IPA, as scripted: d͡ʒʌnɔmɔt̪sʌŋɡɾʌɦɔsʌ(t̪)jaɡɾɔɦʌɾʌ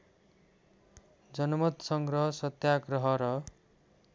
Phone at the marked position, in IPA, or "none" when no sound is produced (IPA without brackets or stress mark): t̪